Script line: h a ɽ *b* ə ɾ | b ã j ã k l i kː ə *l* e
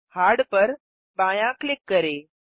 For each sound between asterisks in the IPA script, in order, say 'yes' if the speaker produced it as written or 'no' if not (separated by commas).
no, no